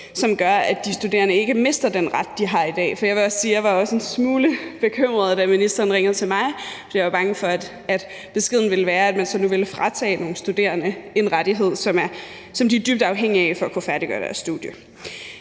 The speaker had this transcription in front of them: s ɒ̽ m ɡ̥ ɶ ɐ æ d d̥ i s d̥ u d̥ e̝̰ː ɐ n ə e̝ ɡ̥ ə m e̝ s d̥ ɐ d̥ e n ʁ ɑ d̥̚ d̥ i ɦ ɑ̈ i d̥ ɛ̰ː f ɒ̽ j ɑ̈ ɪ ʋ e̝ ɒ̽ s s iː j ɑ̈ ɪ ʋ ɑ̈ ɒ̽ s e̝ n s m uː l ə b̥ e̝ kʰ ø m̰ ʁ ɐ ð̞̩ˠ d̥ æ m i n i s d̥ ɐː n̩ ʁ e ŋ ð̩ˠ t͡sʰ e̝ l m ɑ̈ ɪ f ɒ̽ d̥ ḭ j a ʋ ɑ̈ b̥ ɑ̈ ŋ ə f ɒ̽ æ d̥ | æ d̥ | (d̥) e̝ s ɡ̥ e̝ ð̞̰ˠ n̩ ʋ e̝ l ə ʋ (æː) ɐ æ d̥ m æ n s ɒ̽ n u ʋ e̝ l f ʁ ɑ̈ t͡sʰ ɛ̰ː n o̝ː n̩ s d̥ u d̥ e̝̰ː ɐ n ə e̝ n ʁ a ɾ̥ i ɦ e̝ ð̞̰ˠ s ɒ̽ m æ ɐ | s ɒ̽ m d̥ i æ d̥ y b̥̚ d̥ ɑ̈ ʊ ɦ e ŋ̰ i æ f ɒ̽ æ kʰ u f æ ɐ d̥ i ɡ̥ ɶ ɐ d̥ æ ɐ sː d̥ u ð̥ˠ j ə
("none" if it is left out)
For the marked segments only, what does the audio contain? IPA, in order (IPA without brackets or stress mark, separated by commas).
b̥, æː